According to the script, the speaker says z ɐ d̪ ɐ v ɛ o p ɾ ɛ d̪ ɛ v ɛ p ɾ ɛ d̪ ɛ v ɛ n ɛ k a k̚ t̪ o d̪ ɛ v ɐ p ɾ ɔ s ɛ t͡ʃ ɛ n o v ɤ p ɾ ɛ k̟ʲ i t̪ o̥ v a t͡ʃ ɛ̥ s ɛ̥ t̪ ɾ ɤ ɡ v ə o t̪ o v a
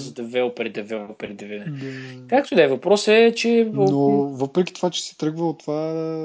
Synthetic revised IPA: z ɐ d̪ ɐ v ɛ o p ɾ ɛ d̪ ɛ v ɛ p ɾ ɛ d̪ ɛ v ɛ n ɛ k a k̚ t̪ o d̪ ɛ v ɐ p ɾ ɔ s ɛ t͡ʃ ɛ n o v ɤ p ɾ ɛ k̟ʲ i t̪ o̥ v a t͡ʃ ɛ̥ s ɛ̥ t̪ ɾ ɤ ɡ v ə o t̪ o v a